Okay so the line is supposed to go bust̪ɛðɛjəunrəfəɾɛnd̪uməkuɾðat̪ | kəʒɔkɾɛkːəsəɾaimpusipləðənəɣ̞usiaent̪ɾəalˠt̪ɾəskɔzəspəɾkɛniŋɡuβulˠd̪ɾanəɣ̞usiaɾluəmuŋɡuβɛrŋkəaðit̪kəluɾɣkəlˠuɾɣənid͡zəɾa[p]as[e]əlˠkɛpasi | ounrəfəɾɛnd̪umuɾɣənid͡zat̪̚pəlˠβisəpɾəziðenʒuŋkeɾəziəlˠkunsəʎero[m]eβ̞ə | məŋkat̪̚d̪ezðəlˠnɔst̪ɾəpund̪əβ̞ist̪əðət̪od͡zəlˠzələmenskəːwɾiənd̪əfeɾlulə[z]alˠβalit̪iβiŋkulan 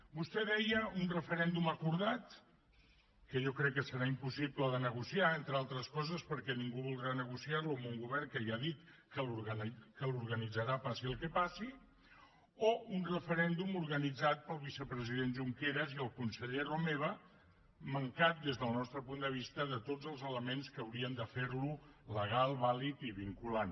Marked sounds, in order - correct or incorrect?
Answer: correct, incorrect: i, correct, incorrect: ɣ

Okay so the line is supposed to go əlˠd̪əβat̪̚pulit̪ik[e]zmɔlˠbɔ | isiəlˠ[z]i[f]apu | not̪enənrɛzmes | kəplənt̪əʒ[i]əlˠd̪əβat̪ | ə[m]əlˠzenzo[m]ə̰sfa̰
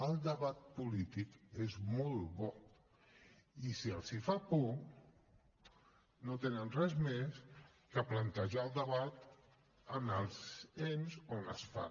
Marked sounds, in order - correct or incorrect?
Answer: correct, incorrect: s, correct, incorrect: a, incorrect: n, incorrect: n

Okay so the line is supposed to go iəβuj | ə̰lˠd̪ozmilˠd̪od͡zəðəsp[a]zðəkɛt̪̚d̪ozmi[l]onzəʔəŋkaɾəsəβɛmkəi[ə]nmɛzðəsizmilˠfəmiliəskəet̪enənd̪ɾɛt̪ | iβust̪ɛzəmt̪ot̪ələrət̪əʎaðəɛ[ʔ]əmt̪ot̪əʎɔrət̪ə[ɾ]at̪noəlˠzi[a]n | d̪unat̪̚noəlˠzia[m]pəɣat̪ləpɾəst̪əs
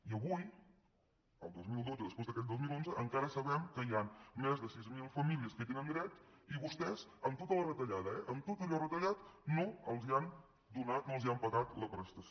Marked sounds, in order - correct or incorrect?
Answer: incorrect: e, correct, incorrect: a, correct, incorrect: ʎ, correct, correct

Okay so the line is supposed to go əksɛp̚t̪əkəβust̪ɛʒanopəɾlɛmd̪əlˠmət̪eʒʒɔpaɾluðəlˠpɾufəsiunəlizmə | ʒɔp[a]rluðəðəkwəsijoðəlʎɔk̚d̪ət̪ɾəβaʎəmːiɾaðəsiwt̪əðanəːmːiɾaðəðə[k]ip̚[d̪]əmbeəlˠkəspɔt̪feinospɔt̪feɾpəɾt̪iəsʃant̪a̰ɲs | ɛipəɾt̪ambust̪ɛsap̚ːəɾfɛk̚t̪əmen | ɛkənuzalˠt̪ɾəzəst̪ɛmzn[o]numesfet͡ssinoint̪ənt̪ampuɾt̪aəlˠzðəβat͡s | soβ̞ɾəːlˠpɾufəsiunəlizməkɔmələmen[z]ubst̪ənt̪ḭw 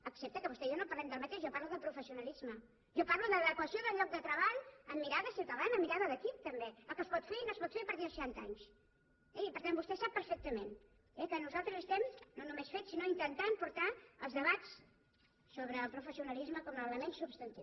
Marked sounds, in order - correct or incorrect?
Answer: correct, correct, incorrect: t̪, correct, incorrect: s

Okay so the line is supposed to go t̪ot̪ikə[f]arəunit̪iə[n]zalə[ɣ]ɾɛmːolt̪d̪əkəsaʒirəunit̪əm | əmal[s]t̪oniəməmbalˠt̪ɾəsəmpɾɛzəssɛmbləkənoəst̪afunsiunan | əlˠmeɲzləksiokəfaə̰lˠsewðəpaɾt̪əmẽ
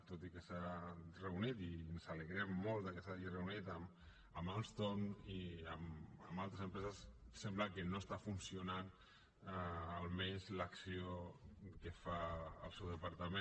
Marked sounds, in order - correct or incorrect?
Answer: incorrect: s, correct, correct, correct

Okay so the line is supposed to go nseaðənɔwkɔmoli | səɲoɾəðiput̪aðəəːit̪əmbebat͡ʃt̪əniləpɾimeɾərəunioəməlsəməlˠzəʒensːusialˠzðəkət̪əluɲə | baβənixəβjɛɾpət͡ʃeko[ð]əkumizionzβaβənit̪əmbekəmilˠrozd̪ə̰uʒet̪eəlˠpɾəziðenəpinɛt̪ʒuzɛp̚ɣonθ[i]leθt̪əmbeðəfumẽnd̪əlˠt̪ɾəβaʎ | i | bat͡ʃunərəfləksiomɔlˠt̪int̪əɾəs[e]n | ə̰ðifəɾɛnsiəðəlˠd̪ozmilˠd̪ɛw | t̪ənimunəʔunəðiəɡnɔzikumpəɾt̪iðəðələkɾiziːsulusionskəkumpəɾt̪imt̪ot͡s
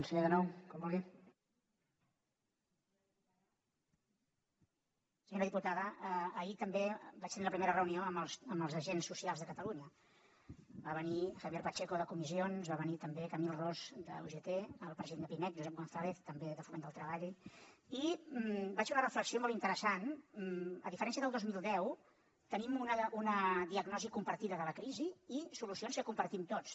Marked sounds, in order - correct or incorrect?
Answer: correct, incorrect: a, incorrect: a

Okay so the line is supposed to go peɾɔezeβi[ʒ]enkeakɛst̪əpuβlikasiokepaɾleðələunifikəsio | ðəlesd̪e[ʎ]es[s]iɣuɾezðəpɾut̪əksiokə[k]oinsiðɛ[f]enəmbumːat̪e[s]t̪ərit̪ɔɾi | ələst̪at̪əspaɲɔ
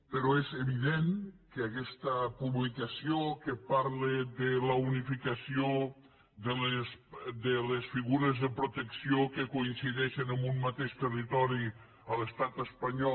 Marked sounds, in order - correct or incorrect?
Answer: incorrect: ð, incorrect: l, incorrect: f, correct, incorrect: ʃ, incorrect: ʃ

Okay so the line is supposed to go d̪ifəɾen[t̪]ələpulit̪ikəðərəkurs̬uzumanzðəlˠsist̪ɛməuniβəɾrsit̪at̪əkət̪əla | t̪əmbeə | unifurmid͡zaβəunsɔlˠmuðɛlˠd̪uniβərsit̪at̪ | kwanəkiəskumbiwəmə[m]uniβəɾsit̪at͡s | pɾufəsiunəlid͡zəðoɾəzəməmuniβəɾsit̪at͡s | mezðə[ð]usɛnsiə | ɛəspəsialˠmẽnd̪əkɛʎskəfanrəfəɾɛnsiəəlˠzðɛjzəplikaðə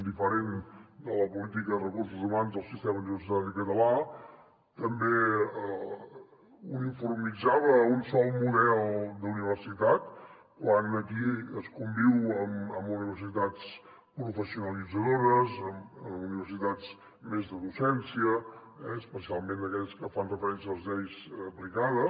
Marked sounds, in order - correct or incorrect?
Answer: incorrect: d̪, correct, correct

